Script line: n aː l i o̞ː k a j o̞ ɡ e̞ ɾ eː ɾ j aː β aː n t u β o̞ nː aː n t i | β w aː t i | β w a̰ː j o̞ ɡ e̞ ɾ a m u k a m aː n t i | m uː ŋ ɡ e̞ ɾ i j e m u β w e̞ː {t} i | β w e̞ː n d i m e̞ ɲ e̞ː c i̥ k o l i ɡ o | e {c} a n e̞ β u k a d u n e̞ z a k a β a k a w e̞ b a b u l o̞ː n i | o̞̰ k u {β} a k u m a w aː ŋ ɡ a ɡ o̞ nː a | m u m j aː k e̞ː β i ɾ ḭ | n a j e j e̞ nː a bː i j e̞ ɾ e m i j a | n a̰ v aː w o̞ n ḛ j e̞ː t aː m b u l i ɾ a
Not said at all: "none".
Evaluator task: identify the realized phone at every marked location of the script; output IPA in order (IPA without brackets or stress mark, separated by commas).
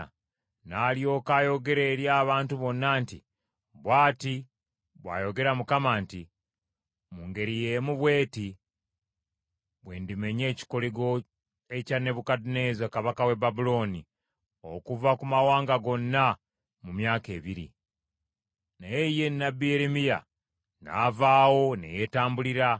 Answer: t, c, v